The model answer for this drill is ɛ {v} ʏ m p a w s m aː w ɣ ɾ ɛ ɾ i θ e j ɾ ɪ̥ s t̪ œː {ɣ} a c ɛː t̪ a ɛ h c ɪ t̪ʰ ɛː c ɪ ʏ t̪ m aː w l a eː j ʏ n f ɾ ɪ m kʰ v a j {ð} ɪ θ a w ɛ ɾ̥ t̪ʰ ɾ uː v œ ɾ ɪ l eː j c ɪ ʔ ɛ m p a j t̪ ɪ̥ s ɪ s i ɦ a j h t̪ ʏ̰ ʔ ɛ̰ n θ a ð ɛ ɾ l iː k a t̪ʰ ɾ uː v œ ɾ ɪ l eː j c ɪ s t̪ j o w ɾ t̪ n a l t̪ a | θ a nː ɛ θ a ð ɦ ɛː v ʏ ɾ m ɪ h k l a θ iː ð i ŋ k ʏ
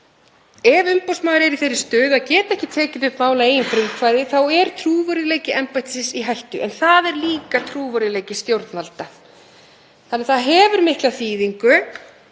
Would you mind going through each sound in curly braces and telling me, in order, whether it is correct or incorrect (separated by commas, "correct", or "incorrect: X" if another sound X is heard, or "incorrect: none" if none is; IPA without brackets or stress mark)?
correct, incorrect: ð, correct